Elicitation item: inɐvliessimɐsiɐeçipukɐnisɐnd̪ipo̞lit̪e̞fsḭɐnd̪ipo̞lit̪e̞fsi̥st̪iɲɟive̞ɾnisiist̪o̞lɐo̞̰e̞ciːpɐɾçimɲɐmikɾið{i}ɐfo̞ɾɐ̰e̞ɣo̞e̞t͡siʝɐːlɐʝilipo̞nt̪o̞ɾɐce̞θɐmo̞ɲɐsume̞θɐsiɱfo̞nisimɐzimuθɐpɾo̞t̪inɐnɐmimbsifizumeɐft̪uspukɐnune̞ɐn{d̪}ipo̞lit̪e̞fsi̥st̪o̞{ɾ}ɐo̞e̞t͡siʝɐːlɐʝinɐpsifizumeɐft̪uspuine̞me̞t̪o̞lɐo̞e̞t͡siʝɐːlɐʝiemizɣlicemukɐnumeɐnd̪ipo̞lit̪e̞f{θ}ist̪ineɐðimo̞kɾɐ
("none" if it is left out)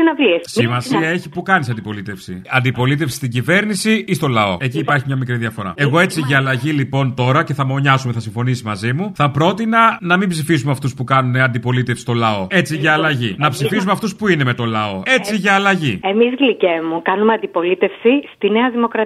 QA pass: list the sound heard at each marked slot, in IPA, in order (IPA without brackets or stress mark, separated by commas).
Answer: i, d̪, l, s